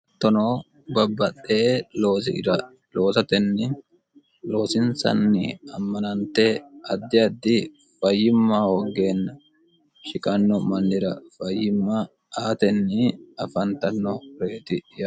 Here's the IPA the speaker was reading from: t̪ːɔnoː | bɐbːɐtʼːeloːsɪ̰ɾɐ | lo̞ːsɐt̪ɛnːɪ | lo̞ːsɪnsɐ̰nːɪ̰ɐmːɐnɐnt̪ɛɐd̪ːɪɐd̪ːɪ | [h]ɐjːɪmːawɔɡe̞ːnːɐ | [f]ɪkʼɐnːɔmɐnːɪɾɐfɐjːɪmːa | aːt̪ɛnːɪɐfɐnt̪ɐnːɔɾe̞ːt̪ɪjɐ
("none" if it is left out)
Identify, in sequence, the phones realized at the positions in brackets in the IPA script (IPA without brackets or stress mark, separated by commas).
f, ʃ